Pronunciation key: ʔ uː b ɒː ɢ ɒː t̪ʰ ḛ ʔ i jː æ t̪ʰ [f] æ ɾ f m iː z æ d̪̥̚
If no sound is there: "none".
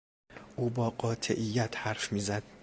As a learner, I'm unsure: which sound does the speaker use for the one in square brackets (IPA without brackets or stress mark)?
h